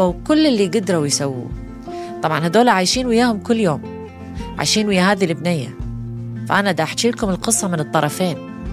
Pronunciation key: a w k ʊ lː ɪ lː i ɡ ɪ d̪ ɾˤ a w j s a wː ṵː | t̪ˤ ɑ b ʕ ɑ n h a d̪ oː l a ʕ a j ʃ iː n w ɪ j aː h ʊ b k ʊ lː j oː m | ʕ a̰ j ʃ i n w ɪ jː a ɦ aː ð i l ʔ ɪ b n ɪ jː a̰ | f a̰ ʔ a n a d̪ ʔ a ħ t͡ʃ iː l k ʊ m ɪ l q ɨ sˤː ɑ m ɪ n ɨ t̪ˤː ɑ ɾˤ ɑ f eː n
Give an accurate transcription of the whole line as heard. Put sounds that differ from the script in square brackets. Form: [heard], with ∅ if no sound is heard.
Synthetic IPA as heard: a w k ʊ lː ɪ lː i ɡ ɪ d̪ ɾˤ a w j s a wː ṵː | t̪ˤ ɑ b ʕ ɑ n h a d̪ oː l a ʕ a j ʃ iː n w ɪ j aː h ʊ [m] k ʊ lː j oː m | ʕ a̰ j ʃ [iː] n w ɪ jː a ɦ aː ð i l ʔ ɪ b n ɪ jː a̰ | f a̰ ʔ a n a d̪ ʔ a ħ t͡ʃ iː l k ʊ m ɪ l q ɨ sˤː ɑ m ɪ n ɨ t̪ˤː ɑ ɾˤ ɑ f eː n